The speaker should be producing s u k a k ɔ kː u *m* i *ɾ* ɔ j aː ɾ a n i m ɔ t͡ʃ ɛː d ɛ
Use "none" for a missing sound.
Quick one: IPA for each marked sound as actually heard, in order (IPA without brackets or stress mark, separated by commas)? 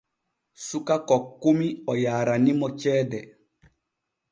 m, none